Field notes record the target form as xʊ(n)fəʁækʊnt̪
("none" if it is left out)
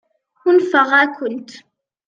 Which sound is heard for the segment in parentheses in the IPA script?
n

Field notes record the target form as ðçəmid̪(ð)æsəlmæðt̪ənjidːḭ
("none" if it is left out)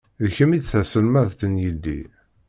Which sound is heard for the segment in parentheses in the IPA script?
θ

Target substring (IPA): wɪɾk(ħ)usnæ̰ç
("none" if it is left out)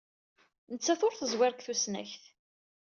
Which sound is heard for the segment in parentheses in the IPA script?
θ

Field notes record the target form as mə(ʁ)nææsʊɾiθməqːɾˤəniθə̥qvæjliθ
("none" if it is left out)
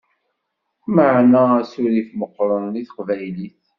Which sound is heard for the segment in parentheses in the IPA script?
ʕ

